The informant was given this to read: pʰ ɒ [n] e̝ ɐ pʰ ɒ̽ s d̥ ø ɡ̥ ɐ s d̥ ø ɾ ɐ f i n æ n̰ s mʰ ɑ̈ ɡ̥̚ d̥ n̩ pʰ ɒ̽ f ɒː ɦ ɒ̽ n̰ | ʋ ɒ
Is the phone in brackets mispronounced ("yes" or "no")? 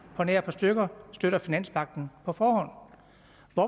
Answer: no